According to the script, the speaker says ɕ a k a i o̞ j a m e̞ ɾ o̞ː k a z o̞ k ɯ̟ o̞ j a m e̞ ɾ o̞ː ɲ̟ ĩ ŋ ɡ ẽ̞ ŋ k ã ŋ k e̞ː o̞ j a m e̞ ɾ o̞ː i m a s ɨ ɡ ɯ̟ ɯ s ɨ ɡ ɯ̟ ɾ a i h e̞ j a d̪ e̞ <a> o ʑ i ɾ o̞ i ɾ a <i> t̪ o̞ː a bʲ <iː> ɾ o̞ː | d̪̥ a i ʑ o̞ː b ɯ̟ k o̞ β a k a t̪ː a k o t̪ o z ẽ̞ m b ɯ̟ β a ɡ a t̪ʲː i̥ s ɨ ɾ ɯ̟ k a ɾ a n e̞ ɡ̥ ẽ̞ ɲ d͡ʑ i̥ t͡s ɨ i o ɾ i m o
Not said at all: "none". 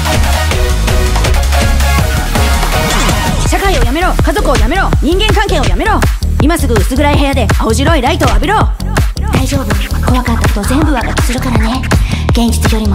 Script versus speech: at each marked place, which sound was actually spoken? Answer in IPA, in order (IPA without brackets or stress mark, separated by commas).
a, i, i